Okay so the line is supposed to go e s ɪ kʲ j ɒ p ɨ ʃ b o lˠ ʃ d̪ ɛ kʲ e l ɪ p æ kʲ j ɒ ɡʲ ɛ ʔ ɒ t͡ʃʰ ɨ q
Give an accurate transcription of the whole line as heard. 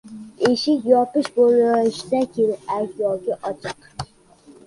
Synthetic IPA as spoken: e ʃ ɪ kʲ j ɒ p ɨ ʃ b o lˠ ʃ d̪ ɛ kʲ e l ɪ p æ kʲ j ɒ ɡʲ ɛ ʔ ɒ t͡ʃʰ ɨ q